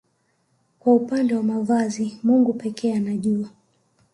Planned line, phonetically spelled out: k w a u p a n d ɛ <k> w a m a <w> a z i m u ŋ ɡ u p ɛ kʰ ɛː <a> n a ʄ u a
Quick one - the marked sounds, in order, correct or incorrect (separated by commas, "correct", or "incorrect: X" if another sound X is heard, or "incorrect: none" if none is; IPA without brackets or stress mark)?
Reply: incorrect: none, incorrect: v, correct